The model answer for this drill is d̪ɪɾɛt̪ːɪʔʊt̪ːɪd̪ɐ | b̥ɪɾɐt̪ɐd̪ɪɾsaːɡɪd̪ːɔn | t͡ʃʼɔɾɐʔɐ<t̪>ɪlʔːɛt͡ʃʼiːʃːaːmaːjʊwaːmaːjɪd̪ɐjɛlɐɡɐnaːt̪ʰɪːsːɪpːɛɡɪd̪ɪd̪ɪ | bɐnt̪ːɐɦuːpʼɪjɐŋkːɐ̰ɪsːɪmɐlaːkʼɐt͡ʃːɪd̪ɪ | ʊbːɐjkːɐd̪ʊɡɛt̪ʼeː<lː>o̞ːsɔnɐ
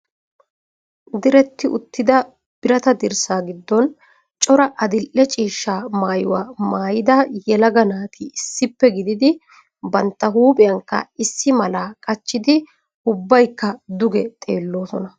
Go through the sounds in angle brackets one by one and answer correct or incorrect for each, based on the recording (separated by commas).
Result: incorrect, correct